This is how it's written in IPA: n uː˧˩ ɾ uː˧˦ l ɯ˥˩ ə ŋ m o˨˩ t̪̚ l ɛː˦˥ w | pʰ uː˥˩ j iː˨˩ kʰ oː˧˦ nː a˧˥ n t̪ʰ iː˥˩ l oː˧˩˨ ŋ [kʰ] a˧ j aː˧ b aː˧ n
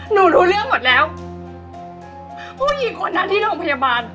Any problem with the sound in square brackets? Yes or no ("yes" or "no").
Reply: yes